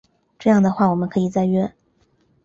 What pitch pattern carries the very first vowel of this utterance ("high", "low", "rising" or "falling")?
falling